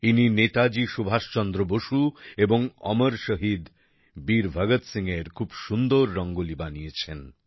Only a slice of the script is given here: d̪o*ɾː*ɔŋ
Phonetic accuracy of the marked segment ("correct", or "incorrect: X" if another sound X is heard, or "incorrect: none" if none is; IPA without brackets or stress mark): correct